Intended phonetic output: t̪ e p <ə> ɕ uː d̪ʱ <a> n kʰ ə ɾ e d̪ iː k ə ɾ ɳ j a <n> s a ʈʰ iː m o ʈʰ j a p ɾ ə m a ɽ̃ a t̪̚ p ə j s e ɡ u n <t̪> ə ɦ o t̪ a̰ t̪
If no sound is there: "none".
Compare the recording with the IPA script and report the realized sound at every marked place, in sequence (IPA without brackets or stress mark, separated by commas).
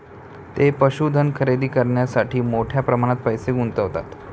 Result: ə, ə, none, t̪